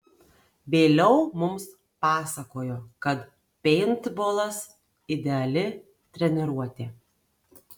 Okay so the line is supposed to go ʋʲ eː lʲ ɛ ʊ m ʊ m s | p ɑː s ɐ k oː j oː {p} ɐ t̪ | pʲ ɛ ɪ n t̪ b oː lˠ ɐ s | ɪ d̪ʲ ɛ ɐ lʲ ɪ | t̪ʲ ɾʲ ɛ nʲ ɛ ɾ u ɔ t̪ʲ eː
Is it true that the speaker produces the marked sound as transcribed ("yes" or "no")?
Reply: no